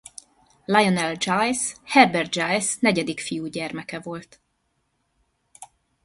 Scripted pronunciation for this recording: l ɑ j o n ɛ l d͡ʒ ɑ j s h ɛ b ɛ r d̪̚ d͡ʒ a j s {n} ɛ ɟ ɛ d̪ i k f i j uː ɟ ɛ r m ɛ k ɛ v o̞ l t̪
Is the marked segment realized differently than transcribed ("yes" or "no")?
no